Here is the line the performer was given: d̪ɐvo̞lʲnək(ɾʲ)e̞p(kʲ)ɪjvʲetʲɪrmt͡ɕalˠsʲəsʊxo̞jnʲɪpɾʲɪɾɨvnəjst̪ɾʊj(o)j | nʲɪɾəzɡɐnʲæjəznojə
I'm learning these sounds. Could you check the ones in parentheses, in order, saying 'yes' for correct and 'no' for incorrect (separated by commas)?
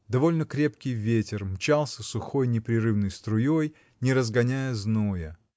yes, yes, yes